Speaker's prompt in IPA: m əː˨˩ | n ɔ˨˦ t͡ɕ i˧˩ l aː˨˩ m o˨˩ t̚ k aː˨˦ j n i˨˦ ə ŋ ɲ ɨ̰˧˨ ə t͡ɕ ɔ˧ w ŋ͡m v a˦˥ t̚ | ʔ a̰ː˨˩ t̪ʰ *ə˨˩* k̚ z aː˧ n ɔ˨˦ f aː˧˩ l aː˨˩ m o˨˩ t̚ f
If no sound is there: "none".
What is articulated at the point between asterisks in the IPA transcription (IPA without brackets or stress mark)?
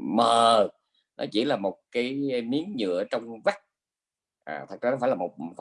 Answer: ə˨˩